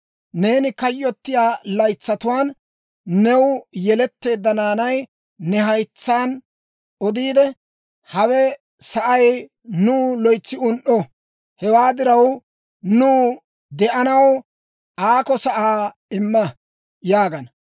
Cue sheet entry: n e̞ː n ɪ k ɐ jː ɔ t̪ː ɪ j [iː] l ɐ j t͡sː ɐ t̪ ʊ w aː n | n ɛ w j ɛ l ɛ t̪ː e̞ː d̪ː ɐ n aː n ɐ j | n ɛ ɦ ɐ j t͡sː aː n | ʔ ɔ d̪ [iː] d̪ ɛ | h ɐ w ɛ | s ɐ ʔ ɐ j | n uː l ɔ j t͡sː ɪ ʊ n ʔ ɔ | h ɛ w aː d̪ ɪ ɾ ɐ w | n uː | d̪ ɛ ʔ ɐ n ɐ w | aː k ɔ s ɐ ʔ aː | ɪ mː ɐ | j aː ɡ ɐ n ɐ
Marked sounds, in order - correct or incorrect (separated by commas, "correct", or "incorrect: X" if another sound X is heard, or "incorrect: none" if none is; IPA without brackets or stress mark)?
incorrect: aː, correct